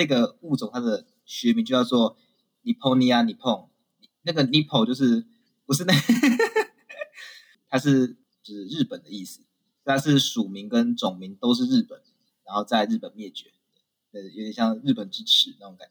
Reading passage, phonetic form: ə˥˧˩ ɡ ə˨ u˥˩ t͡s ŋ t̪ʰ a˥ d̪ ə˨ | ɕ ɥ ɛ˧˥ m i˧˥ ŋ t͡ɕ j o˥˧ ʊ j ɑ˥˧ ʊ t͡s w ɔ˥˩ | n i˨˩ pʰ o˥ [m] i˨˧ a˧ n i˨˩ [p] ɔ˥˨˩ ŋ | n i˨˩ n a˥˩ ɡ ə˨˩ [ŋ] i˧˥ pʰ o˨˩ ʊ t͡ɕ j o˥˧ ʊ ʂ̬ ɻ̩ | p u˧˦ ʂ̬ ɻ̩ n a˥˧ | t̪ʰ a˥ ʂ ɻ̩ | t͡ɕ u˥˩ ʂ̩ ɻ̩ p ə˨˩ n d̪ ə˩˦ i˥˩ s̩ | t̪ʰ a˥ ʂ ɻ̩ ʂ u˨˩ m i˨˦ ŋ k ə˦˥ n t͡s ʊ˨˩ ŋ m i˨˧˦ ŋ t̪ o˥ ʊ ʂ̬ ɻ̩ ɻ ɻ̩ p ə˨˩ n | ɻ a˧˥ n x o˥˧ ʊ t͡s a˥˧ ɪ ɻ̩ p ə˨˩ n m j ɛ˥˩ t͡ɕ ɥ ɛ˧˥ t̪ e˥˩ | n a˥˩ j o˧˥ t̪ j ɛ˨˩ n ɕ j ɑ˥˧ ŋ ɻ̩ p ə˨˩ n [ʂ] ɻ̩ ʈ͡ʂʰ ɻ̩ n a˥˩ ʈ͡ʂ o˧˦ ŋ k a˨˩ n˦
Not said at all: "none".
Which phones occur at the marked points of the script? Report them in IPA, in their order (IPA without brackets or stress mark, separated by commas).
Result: n, pʰ, n, ʈ͡ʂ